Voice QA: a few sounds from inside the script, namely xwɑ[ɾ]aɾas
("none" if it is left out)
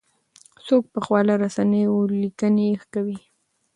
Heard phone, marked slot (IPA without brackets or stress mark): l